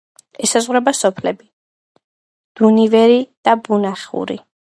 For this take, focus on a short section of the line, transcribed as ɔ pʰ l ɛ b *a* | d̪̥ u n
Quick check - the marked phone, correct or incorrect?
incorrect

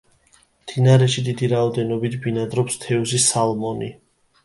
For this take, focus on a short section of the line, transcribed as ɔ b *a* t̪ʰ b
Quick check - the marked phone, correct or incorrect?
incorrect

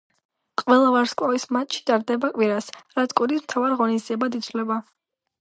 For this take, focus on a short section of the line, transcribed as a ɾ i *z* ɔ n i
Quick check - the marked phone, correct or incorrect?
incorrect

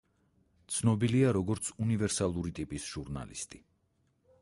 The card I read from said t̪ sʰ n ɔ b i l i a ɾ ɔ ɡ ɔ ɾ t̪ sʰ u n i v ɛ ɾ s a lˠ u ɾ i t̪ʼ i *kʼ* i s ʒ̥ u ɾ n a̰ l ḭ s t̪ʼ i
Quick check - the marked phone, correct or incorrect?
incorrect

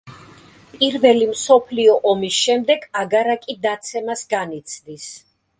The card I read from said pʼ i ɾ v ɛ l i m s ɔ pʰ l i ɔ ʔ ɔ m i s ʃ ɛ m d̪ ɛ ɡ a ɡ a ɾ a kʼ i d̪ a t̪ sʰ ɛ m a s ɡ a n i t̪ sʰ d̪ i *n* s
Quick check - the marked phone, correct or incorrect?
incorrect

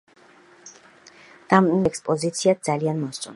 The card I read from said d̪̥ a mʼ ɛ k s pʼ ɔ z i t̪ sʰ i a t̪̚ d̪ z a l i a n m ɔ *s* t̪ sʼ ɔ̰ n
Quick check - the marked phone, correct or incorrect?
correct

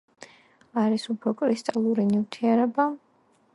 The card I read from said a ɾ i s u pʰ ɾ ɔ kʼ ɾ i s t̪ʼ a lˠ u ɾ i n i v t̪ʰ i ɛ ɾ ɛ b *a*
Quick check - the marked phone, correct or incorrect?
correct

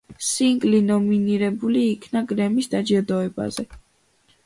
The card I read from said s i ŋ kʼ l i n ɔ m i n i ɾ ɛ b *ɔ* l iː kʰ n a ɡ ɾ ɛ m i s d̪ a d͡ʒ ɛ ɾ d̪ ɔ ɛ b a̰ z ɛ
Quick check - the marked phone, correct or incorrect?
incorrect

